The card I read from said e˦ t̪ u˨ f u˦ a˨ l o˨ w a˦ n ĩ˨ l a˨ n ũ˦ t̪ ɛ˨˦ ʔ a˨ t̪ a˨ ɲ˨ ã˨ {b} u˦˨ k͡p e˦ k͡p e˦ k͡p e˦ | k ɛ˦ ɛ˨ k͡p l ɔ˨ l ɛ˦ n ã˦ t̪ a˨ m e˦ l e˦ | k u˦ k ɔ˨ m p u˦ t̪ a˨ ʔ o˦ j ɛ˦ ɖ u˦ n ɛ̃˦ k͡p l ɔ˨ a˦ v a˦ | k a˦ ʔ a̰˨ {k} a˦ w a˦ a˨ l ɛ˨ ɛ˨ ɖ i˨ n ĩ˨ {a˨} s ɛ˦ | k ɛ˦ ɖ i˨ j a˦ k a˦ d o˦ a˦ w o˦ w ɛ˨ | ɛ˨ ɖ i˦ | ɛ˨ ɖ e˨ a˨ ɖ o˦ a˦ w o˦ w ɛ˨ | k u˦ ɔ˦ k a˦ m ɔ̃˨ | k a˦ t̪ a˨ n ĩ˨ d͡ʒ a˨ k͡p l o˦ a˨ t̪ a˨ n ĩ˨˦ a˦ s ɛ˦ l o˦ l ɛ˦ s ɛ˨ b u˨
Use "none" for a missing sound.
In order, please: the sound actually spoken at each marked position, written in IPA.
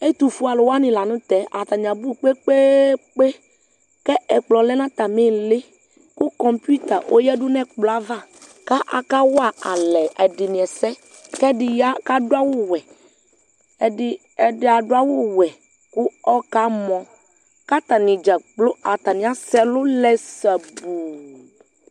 b, k, ɛ˨

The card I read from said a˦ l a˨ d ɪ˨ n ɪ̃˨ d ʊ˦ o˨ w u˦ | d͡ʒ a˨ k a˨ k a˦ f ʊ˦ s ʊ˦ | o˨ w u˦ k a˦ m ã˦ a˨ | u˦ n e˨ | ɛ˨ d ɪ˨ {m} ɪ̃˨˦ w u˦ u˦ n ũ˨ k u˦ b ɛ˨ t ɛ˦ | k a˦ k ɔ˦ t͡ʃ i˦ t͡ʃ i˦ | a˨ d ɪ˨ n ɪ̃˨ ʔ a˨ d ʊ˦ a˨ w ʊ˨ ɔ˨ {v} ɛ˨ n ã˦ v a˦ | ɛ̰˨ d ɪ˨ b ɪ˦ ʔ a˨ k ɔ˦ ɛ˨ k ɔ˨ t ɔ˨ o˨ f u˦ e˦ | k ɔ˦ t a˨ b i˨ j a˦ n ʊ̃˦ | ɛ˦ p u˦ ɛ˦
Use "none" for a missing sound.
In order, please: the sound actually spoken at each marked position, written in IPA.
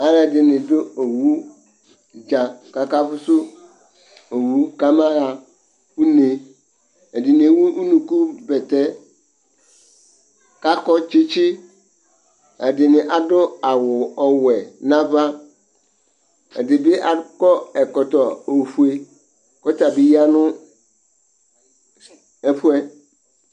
n, w

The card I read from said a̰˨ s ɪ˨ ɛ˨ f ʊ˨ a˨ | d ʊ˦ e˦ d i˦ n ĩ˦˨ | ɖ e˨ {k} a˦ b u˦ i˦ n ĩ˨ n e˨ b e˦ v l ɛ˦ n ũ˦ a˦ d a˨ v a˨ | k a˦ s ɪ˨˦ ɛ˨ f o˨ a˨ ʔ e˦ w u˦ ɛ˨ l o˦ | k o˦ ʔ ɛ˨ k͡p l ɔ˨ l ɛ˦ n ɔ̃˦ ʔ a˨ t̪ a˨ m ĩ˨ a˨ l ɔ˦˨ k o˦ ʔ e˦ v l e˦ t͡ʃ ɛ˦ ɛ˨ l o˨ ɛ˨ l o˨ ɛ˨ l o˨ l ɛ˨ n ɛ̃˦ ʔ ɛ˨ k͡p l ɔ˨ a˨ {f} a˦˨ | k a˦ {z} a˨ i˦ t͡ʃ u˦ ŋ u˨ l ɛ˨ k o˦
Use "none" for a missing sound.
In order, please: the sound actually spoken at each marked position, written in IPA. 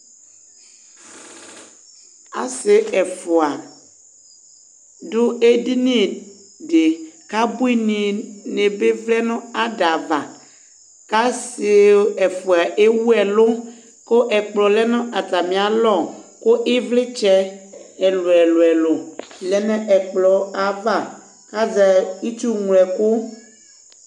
k, v, z

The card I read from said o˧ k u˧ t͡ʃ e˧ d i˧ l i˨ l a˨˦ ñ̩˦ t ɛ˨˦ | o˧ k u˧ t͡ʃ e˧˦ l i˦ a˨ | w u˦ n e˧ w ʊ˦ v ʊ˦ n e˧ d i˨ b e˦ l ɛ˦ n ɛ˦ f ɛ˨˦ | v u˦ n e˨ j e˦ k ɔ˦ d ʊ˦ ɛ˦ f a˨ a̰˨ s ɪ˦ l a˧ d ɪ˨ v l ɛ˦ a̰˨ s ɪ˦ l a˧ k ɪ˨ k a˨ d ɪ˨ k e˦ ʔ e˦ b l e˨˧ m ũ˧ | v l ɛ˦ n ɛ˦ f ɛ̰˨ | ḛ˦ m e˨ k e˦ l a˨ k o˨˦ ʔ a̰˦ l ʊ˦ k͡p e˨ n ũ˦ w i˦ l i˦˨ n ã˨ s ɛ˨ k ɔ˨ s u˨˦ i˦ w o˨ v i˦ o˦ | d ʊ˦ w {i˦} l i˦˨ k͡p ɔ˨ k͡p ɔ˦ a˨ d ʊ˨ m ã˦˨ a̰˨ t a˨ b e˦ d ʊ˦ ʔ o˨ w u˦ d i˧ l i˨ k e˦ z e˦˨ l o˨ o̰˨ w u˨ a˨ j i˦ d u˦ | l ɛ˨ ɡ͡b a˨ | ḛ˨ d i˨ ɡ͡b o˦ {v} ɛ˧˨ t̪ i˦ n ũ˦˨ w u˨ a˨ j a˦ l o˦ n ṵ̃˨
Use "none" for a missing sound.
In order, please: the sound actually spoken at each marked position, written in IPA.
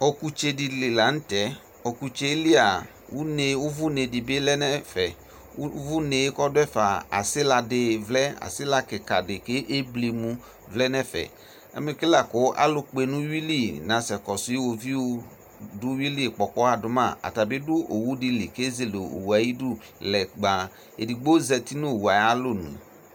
i˦, z

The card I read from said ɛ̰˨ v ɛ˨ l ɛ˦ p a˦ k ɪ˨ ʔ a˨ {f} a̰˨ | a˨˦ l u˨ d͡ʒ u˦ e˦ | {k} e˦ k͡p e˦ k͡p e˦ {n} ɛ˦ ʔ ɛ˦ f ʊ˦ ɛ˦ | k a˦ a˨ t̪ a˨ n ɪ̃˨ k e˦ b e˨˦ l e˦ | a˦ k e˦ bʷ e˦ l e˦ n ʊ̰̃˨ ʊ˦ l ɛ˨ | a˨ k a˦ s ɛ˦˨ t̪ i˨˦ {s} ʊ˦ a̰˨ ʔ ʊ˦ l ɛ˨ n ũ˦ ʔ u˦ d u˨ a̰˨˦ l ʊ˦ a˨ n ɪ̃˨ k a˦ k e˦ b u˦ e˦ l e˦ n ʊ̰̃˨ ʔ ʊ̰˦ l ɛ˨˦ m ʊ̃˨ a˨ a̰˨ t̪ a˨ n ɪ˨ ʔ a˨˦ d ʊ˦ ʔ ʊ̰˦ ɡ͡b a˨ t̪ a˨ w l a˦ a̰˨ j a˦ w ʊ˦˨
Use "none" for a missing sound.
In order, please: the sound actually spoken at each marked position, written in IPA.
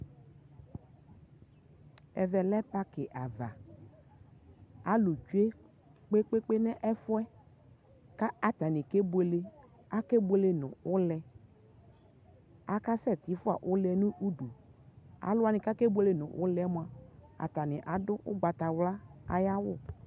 v, k͡p, n, f

